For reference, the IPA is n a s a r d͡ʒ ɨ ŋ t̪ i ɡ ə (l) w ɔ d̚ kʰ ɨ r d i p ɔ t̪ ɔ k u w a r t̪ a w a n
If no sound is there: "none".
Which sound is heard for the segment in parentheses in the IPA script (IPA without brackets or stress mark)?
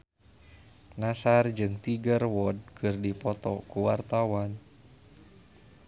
r